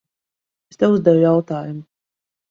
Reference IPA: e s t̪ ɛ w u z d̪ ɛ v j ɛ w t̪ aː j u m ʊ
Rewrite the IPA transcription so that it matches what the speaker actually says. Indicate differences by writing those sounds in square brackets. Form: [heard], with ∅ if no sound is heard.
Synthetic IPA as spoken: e s t̪ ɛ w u z d̪ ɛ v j [a] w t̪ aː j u m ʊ